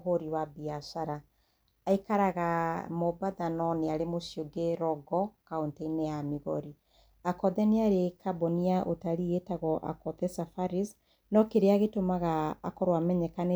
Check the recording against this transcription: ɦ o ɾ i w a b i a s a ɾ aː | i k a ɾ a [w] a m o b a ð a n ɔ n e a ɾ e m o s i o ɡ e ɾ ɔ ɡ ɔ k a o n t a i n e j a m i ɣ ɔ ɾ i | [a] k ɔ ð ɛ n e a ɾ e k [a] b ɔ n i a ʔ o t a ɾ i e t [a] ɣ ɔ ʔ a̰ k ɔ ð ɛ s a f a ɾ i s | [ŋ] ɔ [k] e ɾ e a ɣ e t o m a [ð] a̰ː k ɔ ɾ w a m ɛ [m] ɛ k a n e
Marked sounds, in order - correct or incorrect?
incorrect, correct, correct, correct, incorrect, correct, incorrect, incorrect

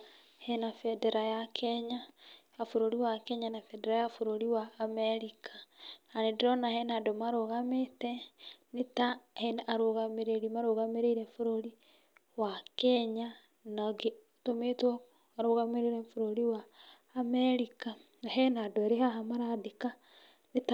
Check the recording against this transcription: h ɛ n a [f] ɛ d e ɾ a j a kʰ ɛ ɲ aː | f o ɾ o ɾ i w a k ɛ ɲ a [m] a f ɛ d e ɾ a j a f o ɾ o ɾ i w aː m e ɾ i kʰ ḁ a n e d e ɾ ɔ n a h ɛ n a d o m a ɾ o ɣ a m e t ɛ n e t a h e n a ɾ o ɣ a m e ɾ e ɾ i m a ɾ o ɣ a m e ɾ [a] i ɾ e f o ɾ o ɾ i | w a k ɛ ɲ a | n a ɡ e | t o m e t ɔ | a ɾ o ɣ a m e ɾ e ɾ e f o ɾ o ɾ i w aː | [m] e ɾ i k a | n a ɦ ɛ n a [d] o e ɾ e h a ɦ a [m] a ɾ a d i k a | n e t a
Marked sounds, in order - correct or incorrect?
correct, incorrect, incorrect, correct, correct, correct

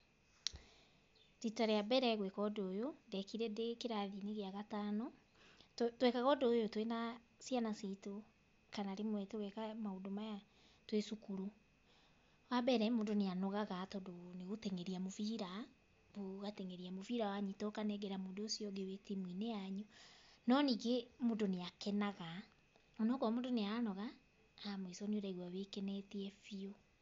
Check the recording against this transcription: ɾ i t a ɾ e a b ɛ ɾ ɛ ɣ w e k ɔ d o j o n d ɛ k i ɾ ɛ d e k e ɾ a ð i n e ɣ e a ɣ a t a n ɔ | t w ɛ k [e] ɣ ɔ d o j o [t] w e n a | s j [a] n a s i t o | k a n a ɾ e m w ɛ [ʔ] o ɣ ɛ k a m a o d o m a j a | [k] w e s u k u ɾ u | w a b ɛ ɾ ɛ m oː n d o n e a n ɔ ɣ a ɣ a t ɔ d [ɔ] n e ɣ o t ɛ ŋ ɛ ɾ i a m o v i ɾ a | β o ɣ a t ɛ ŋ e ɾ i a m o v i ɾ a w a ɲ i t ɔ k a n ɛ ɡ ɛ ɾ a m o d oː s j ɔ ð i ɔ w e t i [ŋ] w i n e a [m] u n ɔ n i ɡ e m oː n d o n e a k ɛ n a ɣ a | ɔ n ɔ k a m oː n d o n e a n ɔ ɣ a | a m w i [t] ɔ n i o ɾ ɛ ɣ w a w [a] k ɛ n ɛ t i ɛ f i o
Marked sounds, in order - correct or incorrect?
incorrect, correct, correct, incorrect, incorrect, incorrect, incorrect, incorrect, incorrect, incorrect

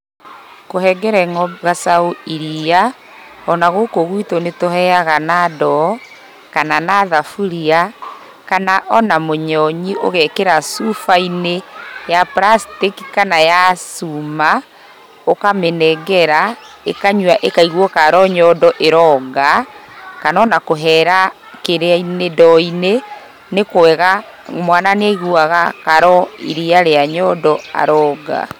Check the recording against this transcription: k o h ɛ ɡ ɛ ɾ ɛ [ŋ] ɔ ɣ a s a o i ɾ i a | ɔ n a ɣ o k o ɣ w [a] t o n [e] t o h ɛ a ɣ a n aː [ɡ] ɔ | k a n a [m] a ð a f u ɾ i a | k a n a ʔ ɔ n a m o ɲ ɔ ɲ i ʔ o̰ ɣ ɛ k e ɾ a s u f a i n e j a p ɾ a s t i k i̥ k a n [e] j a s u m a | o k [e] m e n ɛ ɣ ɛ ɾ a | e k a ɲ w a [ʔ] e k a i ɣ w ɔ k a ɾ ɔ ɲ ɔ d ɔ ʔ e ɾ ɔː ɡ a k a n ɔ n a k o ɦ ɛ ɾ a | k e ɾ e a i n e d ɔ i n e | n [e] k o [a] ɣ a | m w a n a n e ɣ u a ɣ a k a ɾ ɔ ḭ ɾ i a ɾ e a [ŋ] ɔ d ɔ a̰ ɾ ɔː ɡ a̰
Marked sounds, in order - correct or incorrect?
correct, incorrect, correct, incorrect, incorrect, incorrect, incorrect, correct, correct, incorrect, incorrect

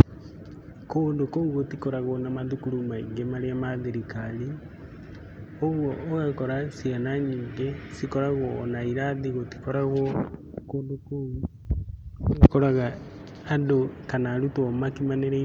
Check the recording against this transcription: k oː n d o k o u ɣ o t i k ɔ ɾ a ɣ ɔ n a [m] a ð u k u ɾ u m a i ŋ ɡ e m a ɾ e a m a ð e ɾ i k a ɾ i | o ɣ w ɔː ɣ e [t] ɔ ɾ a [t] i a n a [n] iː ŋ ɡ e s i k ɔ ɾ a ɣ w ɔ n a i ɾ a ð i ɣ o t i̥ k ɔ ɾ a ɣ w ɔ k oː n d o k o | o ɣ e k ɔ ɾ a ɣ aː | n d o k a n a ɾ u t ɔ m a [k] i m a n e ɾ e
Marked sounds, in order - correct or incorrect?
correct, incorrect, incorrect, incorrect, correct

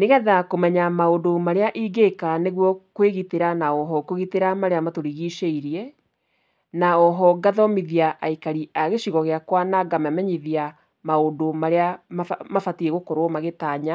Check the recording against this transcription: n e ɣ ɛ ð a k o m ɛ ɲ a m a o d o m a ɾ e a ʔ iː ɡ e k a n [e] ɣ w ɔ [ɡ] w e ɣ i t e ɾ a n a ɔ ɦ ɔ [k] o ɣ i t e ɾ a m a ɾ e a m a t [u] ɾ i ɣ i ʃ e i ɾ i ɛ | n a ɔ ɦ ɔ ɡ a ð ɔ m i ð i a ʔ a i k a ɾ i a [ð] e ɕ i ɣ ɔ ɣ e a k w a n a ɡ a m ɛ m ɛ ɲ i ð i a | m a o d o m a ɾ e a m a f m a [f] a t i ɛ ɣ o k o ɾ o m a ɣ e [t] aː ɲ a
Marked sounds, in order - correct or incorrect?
correct, incorrect, correct, incorrect, incorrect, correct, correct

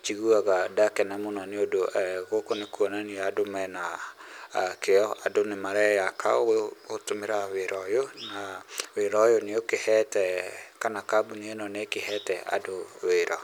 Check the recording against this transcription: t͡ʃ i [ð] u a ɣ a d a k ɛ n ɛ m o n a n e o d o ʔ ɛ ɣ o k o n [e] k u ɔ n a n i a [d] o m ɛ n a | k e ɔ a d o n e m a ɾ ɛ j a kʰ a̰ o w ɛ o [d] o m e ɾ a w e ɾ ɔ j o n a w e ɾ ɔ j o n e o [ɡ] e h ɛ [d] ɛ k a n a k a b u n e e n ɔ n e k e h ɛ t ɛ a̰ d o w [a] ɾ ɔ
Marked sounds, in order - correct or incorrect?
incorrect, correct, correct, incorrect, incorrect, incorrect, incorrect

